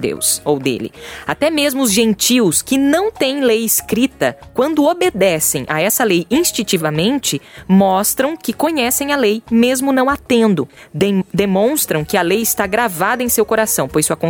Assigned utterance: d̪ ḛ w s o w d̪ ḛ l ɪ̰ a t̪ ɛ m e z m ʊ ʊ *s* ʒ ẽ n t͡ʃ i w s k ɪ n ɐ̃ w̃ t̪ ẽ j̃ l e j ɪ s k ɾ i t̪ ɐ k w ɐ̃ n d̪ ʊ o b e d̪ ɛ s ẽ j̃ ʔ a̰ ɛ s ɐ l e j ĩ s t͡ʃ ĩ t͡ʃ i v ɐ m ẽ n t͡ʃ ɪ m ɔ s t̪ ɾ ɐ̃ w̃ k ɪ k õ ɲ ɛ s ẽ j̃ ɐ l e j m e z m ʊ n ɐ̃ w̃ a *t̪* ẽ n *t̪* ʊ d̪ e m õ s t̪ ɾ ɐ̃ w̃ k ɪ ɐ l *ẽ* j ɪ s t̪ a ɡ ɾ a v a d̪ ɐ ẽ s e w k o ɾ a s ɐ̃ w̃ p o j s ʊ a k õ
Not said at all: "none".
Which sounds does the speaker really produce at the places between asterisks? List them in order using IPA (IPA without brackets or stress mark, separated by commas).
z, t̪, d̪, e